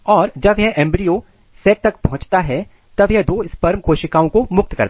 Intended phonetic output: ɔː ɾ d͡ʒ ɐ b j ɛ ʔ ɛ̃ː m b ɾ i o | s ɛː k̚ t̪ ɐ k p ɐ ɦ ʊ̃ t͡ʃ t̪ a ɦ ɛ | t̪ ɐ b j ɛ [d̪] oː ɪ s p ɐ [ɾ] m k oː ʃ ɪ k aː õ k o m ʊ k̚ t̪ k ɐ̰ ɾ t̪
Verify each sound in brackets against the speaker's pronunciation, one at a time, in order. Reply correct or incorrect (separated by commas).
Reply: correct, correct